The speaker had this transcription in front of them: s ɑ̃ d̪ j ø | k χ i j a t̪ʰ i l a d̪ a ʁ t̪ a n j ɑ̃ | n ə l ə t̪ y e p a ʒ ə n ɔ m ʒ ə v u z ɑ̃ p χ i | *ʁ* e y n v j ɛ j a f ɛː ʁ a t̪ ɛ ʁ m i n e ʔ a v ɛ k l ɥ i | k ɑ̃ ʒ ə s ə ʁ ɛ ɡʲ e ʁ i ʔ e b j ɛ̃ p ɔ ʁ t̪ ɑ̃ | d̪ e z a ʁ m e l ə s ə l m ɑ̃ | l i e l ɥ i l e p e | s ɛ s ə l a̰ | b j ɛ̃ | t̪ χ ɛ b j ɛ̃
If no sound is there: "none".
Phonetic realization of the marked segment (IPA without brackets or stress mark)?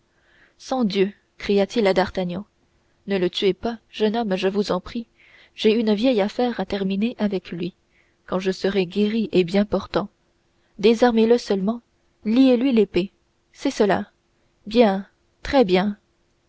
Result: ʒ